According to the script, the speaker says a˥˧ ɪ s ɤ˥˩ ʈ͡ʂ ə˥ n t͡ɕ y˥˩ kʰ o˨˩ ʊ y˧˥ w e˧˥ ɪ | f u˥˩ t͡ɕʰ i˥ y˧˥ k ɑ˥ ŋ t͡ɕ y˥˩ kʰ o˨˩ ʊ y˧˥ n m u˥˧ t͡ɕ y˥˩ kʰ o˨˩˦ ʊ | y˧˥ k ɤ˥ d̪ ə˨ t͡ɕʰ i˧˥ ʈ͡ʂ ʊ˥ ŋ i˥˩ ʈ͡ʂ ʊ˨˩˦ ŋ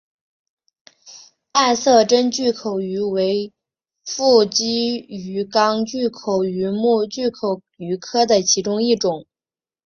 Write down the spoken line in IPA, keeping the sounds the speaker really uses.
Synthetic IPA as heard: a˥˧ ɪ s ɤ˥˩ ʈ͡ʂ ə˥ n t͡ɕ y˥˩ kʰ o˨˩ ʊ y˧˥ w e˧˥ ɪ | f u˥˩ t͡ɕ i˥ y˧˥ k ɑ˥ ŋ t͡ɕ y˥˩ kʰ o˨˩ ʊ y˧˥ m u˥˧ t͡ɕ y˥˩ kʰ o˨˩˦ ʊ | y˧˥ kʰ ɤ˥ d̪ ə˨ t͡ɕʰ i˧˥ ʈ͡ʂ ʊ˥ ŋ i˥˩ ʈ͡ʂ ʊ˨˩˦ ŋ